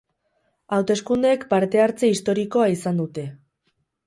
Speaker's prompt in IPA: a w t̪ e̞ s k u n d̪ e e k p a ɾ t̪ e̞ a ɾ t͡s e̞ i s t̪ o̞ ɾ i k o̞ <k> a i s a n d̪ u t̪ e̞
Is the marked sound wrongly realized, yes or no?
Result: yes